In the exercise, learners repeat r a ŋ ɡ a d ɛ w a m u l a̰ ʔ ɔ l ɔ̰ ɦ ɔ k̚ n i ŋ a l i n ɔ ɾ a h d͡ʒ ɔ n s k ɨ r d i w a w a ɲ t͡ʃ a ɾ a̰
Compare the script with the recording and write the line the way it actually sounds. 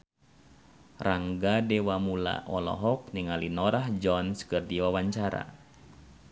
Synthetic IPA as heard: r a ŋ ɡ a d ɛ w a m u l a̰ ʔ ɔ l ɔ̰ ɦ ɔ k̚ n i ŋ a l i n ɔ ɾ a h d͡ʒ ɔ n s k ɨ r d i w a w a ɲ t͡ʃ a ɾ a̰